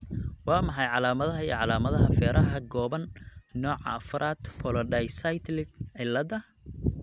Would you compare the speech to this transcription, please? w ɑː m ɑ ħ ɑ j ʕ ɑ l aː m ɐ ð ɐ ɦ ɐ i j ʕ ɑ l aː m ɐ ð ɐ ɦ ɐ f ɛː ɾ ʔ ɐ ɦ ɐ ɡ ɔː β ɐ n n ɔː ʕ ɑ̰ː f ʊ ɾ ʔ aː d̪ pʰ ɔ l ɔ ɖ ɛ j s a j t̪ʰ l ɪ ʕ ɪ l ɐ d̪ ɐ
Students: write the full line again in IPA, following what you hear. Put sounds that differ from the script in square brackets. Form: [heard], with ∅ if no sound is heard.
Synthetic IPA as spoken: w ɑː m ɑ ħ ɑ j ʕ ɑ l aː m ɐ ð ɐ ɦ ɐ i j ʕ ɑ l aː m ɐ ð ɐ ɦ ɐ f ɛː ɾ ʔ ɐ ɦ ɐ ɡ ɔː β ɐ n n ɔː ʕ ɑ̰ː f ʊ ɾ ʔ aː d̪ pʰ ɔ l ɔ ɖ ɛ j s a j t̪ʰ l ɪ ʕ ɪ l ɐ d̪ ɐ